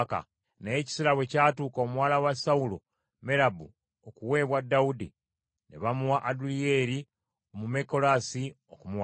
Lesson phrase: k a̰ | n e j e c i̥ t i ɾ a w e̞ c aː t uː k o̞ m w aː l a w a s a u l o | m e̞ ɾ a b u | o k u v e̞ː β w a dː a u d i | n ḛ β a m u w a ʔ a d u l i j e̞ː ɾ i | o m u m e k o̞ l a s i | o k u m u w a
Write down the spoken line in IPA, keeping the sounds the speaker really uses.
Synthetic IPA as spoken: k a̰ | n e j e c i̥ s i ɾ a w e̞ c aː t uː k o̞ m w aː l a w a s a u l o | m e̞ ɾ a b u | o k u w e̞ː β w a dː a u d i | n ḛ β a m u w a ʔ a d u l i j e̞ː ɾ i | o m u m e k o̞ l a s i | o k u m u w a